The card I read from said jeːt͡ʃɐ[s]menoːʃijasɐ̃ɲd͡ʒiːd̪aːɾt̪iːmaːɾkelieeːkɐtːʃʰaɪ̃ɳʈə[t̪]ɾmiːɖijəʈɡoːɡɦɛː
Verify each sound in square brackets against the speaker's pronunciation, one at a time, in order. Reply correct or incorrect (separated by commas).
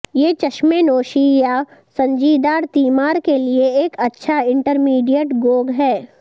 incorrect, incorrect